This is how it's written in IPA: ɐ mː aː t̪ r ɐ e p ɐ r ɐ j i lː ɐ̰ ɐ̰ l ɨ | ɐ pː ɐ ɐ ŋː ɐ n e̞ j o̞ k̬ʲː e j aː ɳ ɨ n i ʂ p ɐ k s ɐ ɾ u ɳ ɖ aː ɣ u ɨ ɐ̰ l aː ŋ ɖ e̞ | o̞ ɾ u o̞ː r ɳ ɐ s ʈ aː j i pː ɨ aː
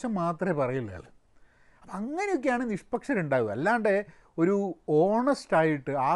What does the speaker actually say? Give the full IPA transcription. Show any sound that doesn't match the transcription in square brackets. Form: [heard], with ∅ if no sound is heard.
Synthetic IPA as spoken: ɐ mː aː t̪ r ɐ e p ɐ r ɐ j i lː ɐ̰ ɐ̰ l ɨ | ɐ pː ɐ ɐ ŋː ɐ n e̞ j o̞ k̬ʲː e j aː ɳ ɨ n i ʂ p ɐ k [ʂ] ɐ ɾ u ɳ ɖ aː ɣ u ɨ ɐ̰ [lː] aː [ɳ] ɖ e̞ | o̞ ɾ u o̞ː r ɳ ɐ s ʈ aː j i [ʈː] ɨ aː